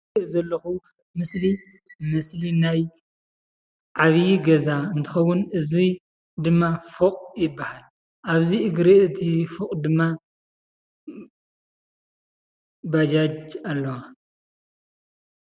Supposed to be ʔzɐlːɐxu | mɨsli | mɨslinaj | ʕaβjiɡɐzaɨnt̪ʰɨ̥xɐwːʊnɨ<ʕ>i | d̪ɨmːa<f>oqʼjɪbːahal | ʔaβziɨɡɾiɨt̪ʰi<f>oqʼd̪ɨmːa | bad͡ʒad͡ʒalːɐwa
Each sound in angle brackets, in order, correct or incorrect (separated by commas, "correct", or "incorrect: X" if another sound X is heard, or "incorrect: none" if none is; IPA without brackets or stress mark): incorrect: z, correct, correct